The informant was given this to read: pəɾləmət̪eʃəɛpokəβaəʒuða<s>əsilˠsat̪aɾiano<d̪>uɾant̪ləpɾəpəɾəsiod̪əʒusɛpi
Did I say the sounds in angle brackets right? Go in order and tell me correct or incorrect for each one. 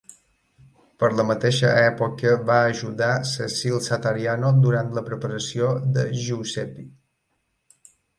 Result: correct, correct

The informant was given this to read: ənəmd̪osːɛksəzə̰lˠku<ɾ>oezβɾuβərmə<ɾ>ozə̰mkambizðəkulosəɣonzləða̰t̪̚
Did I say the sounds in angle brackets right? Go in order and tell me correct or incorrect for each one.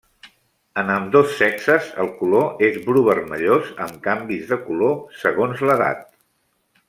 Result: incorrect: l, incorrect: ʎ

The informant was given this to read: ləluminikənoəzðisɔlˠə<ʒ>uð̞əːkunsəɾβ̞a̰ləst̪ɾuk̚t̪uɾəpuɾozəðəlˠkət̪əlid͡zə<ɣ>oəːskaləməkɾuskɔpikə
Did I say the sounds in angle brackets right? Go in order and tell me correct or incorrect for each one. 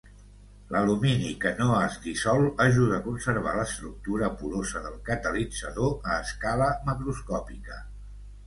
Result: correct, incorrect: ð

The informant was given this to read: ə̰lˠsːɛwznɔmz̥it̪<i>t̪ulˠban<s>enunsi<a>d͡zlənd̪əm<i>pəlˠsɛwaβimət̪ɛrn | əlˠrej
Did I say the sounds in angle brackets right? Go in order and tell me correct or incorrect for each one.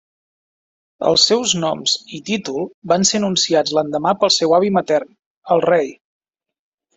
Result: correct, correct, correct, incorrect: a

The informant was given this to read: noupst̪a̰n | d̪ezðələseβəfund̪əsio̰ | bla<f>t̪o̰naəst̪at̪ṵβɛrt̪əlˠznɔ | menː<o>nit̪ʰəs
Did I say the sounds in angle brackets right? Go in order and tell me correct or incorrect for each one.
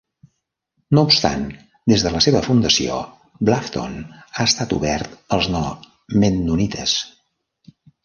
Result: correct, incorrect: u

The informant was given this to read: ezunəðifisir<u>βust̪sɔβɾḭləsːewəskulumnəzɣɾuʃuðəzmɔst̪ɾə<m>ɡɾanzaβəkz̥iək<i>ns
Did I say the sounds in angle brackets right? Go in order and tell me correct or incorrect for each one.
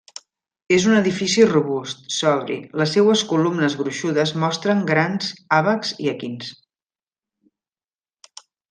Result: correct, incorrect: ŋ, correct

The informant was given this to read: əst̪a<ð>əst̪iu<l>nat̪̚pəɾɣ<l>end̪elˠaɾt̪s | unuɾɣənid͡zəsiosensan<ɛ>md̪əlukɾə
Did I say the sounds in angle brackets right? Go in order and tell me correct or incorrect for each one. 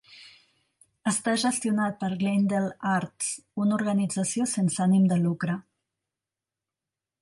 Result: incorrect: ʒ, incorrect: none, correct, incorrect: i

